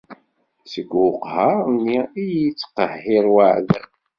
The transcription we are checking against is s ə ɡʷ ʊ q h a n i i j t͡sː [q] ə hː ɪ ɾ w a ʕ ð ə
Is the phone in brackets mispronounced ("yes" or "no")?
no